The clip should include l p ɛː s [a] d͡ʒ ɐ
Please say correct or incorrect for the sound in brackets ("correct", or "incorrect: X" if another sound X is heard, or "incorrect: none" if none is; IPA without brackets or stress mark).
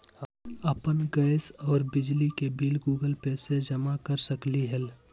incorrect: e